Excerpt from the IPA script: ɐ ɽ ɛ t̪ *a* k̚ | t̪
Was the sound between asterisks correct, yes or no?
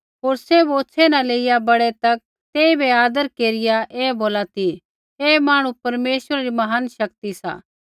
no